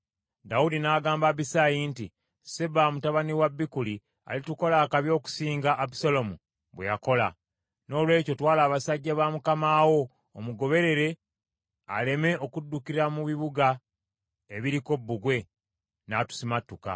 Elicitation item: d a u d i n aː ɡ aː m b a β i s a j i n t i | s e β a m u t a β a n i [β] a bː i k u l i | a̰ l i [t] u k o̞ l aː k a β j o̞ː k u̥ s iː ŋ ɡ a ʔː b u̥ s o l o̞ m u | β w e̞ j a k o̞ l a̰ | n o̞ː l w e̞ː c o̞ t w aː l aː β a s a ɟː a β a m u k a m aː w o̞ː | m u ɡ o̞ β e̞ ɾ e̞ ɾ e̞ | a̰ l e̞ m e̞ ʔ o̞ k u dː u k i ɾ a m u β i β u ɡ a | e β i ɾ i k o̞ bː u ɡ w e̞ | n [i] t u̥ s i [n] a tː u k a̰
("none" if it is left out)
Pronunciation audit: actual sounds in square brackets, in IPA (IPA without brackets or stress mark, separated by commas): w, t, a, m